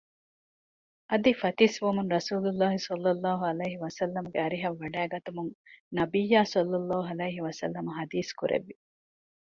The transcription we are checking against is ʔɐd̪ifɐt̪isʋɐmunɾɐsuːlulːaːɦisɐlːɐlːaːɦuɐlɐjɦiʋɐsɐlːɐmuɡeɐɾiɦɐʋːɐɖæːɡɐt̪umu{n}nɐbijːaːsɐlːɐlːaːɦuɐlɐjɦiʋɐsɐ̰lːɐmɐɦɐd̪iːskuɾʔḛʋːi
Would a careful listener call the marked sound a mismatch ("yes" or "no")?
yes